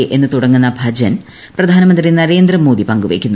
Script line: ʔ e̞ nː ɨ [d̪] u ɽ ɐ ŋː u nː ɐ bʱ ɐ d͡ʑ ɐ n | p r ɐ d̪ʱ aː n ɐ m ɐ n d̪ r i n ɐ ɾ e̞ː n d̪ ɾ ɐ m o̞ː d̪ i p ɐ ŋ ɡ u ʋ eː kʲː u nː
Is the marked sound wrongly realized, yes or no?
yes